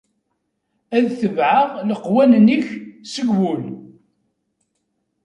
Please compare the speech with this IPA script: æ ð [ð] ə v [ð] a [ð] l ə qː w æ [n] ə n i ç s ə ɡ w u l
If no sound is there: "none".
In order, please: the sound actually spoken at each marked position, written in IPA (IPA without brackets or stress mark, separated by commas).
θ, ʕ, ʁ, n